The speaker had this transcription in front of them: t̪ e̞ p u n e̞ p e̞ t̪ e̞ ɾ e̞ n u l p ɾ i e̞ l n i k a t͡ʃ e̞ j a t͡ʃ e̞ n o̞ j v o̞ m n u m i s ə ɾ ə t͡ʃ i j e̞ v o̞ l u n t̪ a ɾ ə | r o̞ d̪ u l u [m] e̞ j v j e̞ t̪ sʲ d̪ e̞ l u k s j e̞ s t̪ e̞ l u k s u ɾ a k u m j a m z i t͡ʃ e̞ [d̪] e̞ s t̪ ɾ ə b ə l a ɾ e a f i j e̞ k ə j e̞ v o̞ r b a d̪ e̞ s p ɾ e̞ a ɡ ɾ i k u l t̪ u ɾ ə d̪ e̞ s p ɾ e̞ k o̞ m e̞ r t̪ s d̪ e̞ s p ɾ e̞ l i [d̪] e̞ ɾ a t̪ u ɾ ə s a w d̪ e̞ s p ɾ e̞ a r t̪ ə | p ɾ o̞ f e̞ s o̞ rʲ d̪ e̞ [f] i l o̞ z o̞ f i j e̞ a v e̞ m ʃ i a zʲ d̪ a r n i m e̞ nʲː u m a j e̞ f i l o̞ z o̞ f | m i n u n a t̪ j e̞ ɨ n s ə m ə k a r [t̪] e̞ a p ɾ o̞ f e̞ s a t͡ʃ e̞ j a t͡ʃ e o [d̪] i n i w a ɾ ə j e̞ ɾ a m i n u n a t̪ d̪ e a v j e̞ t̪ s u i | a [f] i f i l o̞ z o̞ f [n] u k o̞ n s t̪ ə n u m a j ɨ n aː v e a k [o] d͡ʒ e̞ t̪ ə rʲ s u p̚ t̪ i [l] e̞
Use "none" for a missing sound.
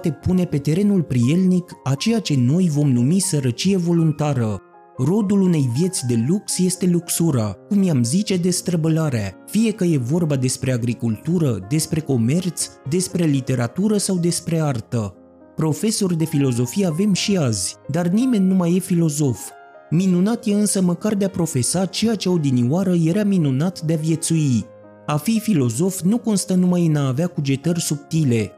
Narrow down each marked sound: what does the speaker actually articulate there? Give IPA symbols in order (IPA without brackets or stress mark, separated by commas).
n, d̪, t̪, f, d̪, d̪, f, n, u, l